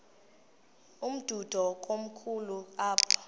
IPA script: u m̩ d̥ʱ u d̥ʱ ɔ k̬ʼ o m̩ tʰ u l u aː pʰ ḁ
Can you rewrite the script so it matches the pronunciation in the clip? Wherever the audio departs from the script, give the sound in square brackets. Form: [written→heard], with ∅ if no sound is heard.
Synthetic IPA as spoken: u m̩ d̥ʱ u d̥ʱ ɔ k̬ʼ o m̩ [tʰ→kʰ] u l u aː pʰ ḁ